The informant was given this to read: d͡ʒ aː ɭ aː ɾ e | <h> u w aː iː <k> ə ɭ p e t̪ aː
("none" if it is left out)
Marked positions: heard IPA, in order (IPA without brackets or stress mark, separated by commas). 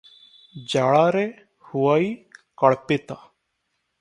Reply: h, k